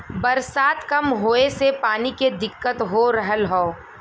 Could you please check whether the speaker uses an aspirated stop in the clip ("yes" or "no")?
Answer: no